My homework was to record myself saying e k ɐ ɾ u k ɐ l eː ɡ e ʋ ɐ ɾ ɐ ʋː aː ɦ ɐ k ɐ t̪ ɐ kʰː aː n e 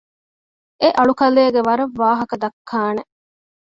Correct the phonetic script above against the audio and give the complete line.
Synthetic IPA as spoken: e ʔ ɐ ɭ u k ɐ l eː ɡ e ʋ ɐ ɾ ɐ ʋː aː ɦ ɐ k ɐ d̪ ɐ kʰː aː n e